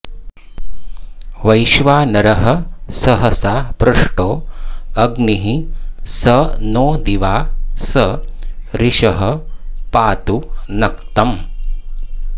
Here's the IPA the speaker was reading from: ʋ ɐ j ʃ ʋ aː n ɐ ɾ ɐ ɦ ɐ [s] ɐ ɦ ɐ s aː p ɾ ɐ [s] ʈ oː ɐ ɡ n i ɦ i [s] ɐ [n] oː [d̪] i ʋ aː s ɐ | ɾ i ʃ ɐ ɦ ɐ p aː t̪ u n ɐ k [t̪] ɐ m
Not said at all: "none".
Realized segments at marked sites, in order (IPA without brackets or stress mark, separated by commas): s, ʂ, s, n, d̪, t̪